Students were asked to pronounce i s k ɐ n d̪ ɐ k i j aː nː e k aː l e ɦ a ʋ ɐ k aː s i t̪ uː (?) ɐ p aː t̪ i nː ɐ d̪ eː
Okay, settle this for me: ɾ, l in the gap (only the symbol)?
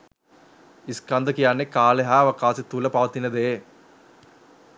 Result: l